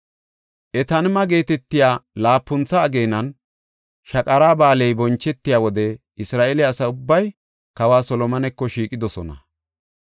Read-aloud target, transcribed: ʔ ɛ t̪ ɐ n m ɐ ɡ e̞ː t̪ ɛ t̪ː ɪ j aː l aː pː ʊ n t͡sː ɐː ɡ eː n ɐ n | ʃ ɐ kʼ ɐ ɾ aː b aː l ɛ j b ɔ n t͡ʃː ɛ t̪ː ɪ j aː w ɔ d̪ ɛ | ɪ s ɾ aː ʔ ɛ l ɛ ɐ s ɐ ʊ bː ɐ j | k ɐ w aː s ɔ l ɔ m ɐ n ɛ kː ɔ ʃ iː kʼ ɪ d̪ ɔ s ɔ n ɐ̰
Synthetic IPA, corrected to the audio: ʔ ɛ t̪ ɐ n m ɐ ɡ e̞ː t̪ ɛ t̪ː ɪ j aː l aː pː ʊ n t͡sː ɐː ɡ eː n ɐ n | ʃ ɐ kʼ ɐ ɾ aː b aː l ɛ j b ɔ n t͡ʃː ɛ t̪ː ɪ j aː w ɔ d̪ ɛ | ɪ s ɾ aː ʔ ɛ l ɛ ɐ s ɐ ʊ bː ɐ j | k ɐ w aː s ɔ l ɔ m ɐ n ɛ kː ɔ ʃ iː kʼ ɪ d̪ ɔ s ɔ n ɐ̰